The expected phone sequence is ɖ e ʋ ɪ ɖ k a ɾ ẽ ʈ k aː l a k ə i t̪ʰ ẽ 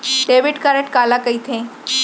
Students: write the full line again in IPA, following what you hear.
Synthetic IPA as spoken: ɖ e ʋ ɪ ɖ k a ɾ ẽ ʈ k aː l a k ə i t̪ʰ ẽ